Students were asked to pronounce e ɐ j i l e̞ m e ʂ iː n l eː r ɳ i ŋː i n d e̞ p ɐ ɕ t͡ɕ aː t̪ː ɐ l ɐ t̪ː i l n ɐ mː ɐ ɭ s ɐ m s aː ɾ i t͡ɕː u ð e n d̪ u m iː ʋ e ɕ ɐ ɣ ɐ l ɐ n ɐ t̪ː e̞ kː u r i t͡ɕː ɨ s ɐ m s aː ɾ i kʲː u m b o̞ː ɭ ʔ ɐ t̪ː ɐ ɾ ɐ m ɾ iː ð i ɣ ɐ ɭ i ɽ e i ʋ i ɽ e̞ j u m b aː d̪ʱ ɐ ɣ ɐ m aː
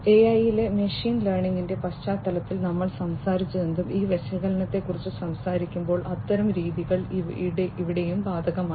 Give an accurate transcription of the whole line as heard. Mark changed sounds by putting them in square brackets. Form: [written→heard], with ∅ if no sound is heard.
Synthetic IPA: e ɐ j i l e̞ m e ʂ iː n l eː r ɳ i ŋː i n d e̞ p ɐ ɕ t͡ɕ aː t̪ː ɐ l ɐ t̪ː i l n ɐ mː ɐ ɭ s ɐ m s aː ɾ i t͡ɕː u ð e n d̪ u m iː ʋ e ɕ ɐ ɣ ɐ l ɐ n ɐ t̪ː e̞ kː u r i t͡ɕː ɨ s ɐ m s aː ɾ i kʲː u m b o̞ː ɭ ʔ ɐ t̪ː ɐ ɾ ɐ m ɾ iː ð i ɣ ɐ ɭ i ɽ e i ʋ i ɽ e̞ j u m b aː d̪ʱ ɐ ɣ ɐ m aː